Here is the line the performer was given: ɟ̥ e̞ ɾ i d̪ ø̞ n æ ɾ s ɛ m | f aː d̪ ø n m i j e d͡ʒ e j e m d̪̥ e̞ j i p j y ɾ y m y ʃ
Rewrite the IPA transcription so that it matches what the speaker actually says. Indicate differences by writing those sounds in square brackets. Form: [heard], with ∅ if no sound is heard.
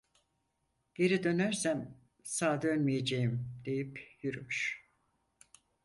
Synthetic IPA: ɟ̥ e̞ ɾ i d̪ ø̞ n æ ɾ s [æ] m | [s] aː d̪ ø n m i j e d͡ʒ e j [i] m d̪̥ e̞ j i p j y ɾ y m y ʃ